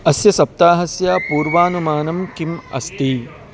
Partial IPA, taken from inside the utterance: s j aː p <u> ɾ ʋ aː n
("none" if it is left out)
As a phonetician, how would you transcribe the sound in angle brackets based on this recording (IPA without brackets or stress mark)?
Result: uː